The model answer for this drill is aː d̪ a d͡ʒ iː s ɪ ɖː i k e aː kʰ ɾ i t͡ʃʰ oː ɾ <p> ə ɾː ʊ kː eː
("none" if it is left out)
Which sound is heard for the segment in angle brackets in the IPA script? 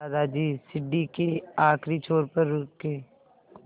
p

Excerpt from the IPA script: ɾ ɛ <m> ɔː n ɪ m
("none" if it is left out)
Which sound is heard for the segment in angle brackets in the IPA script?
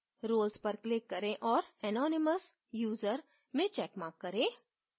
n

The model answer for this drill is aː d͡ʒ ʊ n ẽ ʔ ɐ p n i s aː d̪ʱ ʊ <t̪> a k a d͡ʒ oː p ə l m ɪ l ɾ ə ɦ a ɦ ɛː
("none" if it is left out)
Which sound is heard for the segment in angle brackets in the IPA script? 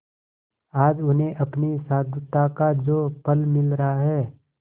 t̪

